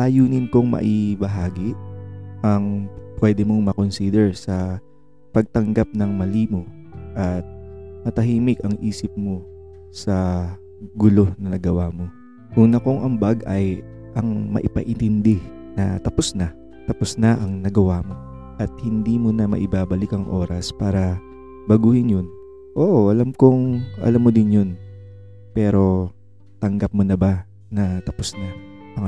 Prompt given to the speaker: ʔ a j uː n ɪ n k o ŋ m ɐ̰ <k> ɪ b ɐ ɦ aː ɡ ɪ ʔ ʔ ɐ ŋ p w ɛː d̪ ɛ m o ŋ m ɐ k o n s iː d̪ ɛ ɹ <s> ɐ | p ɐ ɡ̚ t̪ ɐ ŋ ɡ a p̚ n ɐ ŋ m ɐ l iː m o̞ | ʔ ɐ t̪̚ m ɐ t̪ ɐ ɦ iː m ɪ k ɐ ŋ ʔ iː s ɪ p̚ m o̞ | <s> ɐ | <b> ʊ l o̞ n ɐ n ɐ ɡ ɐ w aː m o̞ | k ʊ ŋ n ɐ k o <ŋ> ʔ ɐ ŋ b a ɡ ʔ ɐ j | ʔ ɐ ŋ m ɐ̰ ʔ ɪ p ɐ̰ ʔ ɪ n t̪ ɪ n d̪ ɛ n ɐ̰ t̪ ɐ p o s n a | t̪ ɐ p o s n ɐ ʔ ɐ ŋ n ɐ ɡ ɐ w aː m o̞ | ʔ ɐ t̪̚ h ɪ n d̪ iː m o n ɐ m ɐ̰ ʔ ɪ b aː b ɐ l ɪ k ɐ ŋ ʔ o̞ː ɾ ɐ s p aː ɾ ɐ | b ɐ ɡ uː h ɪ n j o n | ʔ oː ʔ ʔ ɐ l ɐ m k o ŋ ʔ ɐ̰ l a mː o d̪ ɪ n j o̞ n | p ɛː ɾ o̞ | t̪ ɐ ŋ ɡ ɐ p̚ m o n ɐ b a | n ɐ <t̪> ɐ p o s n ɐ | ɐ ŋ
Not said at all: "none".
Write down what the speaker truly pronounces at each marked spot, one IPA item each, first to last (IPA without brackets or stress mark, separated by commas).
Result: ʔ, s, s, ɡ, ŋ, t̪